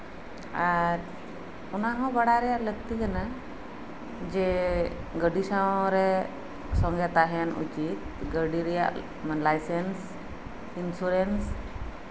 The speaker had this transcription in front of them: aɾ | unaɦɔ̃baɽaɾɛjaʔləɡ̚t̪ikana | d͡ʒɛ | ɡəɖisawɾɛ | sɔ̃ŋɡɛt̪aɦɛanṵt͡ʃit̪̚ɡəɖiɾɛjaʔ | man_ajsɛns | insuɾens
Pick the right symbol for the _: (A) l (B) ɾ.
A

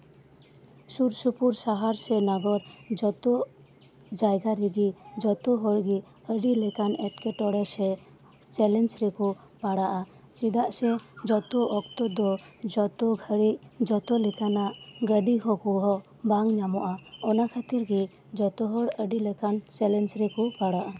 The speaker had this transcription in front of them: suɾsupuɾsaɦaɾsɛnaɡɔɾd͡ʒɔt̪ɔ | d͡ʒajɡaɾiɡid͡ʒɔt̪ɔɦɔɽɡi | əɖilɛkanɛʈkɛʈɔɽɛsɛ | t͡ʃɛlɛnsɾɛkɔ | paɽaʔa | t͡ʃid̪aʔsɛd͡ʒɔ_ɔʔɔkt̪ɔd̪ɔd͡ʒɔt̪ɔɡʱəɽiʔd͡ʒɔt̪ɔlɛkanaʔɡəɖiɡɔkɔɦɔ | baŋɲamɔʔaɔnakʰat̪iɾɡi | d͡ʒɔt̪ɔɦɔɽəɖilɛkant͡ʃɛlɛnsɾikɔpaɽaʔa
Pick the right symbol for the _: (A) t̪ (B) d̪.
A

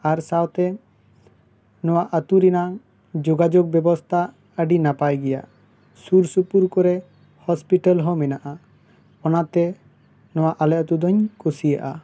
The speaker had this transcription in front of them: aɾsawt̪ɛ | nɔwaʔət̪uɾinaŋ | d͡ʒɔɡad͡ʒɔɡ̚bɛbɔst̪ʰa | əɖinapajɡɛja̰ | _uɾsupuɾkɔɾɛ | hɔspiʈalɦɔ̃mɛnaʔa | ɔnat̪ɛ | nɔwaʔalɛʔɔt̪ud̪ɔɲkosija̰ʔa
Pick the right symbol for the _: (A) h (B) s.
B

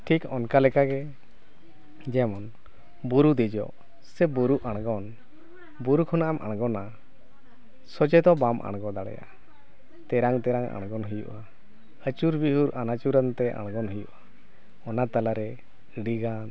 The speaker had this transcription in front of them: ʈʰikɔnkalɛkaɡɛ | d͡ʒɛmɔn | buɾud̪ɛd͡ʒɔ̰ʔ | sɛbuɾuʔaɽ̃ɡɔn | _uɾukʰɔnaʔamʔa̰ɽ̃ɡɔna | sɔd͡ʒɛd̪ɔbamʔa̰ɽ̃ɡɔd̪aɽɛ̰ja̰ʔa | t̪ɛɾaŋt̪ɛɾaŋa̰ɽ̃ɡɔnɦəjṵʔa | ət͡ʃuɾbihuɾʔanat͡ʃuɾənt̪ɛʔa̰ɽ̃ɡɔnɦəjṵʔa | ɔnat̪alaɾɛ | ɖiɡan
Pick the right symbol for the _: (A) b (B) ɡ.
A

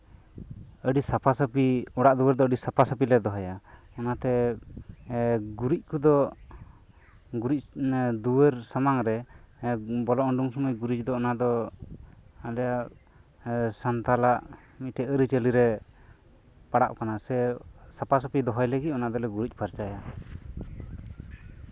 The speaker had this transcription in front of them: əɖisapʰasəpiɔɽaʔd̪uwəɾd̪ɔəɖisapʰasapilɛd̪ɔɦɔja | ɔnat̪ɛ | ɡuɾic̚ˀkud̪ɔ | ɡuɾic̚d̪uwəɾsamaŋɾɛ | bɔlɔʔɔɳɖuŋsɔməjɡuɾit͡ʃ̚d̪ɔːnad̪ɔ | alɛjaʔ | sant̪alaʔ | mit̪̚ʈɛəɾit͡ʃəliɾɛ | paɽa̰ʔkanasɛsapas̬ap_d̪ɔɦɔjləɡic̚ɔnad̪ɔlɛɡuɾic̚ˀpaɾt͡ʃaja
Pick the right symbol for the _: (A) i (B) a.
A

